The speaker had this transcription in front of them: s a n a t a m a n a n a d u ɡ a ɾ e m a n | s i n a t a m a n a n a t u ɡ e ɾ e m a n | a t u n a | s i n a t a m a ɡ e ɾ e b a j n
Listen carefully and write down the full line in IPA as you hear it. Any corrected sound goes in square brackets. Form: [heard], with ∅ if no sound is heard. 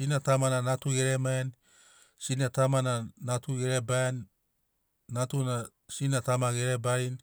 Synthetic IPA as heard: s [i] n a t a m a n a n a [t] u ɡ [e] ɾ e m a n | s i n a t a m a n a n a t u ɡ e ɾ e [b] a n | a t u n a | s i n a t a m a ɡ e ɾ e b a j n

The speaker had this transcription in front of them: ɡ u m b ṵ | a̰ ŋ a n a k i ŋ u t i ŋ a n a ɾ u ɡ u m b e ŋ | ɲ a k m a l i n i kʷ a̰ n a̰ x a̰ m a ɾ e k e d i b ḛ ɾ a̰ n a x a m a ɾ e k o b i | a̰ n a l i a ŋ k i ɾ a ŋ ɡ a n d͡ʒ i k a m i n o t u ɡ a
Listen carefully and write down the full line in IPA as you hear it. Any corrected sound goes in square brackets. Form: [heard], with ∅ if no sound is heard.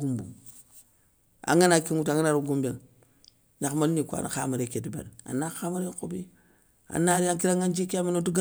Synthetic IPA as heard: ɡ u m b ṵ | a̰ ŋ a n a k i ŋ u t [a] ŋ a n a ɾ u ɡ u m b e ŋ | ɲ a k m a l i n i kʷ a̰ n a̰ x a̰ m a ɾ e k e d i b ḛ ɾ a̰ n a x a m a ɾ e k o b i | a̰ n a [ɾ] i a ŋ k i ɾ a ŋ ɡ a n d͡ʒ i k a m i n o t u ɡ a

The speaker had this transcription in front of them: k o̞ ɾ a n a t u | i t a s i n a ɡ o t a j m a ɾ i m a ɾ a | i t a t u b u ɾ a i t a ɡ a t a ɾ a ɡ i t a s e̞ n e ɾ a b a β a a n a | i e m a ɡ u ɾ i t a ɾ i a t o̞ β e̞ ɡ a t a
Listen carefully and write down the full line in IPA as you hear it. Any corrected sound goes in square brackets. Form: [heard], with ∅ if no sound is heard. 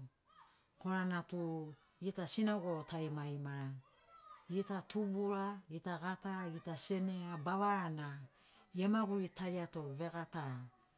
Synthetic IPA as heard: k o̞ ɾ a n a t u | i t a s i n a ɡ o t a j m a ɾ i m a ɾ a | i t a t u b u ɾ a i t a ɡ a t a ɾ a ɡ i t a s e̞ n e ɾ a b a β a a n a | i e m a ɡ u ɾ i t a ɾ i a t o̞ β e̞ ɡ a t a

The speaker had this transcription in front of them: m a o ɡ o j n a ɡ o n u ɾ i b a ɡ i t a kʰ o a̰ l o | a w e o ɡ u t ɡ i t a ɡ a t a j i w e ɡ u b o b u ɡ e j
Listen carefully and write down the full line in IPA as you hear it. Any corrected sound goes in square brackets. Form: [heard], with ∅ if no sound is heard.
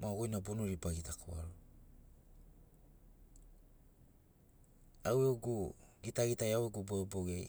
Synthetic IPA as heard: m a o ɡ o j n a [b] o n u ɾ i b a ɡ i t a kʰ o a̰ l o | a w e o ɡ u [∅] ɡ i t a ɡ [i] t a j [a] w e ɡ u b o b [o] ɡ e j

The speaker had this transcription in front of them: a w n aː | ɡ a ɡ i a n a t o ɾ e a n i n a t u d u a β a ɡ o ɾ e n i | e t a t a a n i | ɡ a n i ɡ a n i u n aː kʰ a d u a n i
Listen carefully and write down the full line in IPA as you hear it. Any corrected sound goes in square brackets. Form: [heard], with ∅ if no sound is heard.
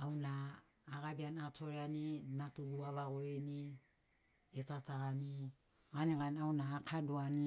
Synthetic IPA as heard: a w n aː | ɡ a [b] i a n a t o ɾ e a n i n a t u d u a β a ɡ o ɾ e n i | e t a t a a n i | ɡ a n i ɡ a n [a] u n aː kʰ a d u a n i

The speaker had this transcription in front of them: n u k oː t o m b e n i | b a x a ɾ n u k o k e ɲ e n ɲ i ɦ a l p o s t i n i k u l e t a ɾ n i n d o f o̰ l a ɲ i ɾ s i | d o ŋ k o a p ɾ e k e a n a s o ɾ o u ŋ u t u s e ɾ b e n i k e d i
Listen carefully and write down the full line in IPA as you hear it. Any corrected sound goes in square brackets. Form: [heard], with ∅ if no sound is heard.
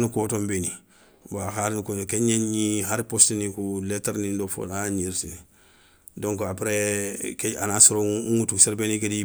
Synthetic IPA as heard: n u k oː t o m b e n i | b a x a ɾ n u k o k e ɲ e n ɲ i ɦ a [ɾ] p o s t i n i k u l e t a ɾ n i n d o f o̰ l a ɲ i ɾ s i | d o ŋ k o a p ɾ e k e a n a s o ɾ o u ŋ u t u s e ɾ b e n i k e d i

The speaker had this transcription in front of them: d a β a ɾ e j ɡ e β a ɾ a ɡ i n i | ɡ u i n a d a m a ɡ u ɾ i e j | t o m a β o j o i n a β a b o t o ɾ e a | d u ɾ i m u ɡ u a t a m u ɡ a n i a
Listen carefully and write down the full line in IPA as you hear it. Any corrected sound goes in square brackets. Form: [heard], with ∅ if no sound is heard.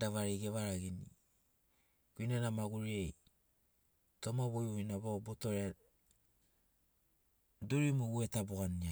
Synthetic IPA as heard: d a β a ɾ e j ɡ e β a ɾ a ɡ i n i | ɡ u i n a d a m a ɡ u ɾ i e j | t o m a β o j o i n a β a b o t o ɾ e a | d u ɾ i m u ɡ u [e] t a [b] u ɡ a n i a

